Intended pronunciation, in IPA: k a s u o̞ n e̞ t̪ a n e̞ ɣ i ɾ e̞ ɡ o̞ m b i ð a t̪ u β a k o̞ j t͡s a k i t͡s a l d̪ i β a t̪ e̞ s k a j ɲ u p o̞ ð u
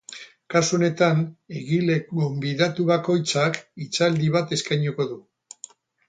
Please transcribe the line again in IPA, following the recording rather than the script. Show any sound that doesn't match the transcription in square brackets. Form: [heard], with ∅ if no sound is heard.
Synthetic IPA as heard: k a s u o̞ n e̞ t̪ a n e̞ ɣ i [l] e̞ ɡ o̞ m b i ð a t̪ u β a k o̞ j t͡s a k i t͡s a l d̪ i β a t̪ e̞ s k a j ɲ u [k] o̞ ð u